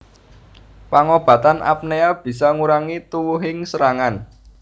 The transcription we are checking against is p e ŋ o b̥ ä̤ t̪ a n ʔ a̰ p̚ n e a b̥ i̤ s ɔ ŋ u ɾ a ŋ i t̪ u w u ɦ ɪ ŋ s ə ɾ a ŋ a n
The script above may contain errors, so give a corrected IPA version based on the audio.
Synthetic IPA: p a ŋ o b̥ ä̤ t̪ a n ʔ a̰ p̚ n e a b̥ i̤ s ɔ ŋ u ɾ a ŋ i t̪ u w u ɦ ɪ ŋ s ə ɾ a ŋ a n